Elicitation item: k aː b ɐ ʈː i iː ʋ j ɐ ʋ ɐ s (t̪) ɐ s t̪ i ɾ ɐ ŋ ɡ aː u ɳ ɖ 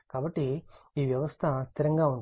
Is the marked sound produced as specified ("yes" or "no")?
no